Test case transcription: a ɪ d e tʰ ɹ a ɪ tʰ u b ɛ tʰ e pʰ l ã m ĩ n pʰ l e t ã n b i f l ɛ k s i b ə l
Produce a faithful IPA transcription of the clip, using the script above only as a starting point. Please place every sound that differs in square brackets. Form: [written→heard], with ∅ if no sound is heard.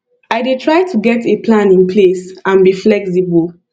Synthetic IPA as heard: a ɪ d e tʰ ɹ a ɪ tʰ u [b→ɡ] ɛ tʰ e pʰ l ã [m→n] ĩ n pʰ l e [t→s] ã n b i f l ɛ k s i b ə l